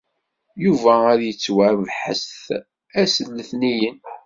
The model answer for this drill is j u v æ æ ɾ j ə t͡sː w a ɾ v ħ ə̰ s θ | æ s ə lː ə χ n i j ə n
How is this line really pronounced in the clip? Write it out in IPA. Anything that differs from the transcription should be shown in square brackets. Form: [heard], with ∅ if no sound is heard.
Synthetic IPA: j u v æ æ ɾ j ə t͡sː w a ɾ v ħ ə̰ s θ | æ s ə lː ə [θ] n i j ə n